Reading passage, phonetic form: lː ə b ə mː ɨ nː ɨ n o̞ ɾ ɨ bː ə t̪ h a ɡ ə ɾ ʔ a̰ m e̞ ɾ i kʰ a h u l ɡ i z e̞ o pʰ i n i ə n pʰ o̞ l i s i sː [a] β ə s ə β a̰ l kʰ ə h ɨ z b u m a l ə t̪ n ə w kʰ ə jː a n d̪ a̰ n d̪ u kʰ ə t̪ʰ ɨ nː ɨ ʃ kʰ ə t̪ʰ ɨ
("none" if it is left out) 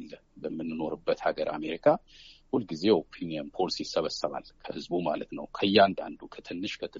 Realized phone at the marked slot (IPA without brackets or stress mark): ə